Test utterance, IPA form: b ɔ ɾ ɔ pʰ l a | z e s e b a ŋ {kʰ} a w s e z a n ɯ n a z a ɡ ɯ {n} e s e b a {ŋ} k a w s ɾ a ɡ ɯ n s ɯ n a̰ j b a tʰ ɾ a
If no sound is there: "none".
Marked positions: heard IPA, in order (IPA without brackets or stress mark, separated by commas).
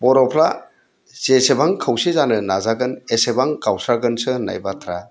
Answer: kʰ, n, ŋ